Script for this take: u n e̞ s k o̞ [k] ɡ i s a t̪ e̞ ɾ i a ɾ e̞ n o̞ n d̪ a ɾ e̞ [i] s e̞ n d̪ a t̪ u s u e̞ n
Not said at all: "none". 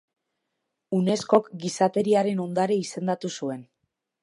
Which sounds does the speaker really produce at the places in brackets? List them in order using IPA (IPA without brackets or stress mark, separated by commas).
k, i